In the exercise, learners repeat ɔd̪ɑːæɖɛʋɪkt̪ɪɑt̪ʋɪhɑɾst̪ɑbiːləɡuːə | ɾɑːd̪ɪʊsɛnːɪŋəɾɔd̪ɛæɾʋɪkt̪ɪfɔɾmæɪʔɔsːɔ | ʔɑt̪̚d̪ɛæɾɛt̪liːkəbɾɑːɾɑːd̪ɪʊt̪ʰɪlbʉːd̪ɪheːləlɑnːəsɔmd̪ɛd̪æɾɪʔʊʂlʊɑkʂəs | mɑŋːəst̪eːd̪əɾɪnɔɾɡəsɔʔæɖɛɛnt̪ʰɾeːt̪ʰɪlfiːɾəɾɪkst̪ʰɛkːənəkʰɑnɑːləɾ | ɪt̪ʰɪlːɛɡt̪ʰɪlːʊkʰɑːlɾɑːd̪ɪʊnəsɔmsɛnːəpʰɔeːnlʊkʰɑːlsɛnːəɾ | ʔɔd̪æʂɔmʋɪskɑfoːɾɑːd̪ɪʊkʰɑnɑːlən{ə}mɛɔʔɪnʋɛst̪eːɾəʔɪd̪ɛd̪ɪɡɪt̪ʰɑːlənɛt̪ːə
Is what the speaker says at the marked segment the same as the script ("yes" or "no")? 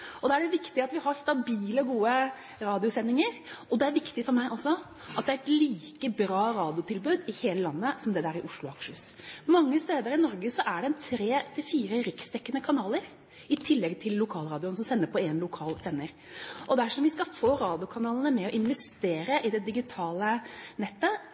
yes